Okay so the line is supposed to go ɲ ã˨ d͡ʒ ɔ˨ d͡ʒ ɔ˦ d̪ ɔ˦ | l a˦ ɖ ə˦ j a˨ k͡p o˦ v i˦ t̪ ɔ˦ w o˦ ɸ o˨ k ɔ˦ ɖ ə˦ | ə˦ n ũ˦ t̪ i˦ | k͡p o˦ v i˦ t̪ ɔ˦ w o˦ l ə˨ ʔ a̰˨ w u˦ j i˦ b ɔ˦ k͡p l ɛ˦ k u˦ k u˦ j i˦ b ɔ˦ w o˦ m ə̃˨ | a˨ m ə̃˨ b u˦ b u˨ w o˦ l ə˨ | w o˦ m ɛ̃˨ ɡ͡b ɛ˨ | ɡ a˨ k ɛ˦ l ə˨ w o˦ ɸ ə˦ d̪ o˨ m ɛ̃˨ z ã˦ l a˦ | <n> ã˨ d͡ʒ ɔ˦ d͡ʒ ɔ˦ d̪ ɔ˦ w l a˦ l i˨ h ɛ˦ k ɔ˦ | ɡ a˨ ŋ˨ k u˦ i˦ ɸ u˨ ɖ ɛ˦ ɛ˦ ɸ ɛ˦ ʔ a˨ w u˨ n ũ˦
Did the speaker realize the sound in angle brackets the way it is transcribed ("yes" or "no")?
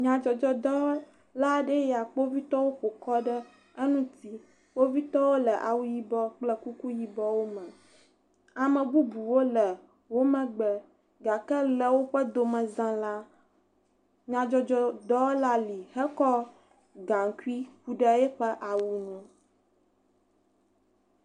no